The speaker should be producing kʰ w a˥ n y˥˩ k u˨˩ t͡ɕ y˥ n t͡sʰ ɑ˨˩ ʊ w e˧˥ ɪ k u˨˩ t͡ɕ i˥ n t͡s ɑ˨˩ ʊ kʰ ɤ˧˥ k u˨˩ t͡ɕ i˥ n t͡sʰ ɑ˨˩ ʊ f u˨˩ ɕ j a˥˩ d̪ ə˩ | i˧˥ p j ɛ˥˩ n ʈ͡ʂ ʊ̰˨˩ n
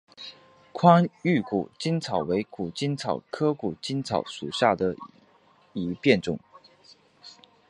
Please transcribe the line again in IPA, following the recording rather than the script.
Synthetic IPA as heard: kʰ w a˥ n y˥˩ k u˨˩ t͡ɕ i˥ n t͡sʰ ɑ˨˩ ʊ w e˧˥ ɪ k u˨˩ t͡ɕ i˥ n t͡sʰ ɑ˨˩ ʊ kʰ ɤ˥ k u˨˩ t͡ɕ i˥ n t͡sʰ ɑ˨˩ ʊ ʂ u˨˩ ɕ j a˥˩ d̪ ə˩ | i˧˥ p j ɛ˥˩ n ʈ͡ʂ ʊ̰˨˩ ŋ

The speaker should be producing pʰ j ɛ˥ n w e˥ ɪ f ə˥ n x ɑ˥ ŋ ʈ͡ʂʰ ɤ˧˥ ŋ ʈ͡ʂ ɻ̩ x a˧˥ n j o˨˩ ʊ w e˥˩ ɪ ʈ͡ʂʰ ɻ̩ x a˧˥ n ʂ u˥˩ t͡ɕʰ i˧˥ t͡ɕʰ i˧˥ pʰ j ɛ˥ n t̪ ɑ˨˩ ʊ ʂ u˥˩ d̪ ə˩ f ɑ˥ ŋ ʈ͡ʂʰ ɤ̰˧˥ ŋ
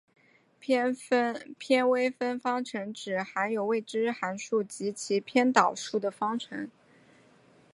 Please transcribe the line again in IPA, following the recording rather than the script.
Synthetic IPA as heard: pʰ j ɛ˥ n w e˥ ɪ f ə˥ n f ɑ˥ ŋ ʈ͡ʂʰ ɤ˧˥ ŋ ʈ͡ʂ ɻ̩ x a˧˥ n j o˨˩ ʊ w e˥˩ ɪ ʈ͡ʂ ɻ̩ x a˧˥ n ʂ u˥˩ t͡ɕ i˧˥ t͡ɕʰ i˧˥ pʰ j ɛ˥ n t̪ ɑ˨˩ ʊ ʂ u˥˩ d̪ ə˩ f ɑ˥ ŋ ʈ͡ʂʰ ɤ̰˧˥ ŋ

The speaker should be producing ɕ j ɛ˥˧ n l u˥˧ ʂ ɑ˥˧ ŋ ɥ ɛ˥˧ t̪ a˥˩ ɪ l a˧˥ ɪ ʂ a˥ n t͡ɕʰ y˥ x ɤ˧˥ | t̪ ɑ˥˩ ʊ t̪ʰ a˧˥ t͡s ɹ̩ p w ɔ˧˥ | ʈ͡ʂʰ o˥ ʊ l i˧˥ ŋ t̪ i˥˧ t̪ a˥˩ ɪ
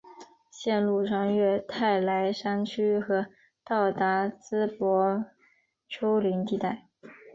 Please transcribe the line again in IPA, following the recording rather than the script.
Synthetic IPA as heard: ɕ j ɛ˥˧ n l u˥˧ ʂ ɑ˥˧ ŋ ɥ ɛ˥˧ t̪ʰ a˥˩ ɪ l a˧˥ ɪ ʂ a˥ n t͡ɕʰ y˥ x ɤ˧˥ | t̪ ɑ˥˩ ʊ t̪ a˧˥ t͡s ɹ̩ p w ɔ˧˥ | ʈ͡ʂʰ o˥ ʊ l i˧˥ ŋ t̪ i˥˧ t̪ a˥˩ ɪ

